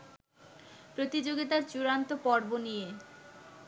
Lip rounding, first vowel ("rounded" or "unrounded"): rounded